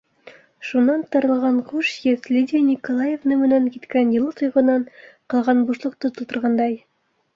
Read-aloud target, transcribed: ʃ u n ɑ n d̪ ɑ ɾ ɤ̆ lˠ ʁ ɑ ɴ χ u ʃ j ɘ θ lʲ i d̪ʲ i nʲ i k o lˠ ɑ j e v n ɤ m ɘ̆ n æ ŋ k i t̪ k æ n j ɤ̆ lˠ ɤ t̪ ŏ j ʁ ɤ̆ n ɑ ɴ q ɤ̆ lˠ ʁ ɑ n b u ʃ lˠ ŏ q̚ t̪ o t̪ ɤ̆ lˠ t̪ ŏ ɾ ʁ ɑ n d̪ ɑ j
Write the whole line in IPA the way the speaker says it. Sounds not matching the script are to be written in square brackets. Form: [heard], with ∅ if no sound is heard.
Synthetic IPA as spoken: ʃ u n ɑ n [t̪] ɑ ɾ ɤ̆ lˠ ʁ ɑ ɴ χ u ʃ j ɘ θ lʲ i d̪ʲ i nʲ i k o lˠ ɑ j e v n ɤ m ɘ̆ n æ ŋ k i t̪ k æ n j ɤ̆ lˠ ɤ t̪ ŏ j ʁ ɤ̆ n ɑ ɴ q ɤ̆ lˠ ʁ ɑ n b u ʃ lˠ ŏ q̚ t̪ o t̪ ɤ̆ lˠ t̪ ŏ ɾ ʁ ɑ n d̪ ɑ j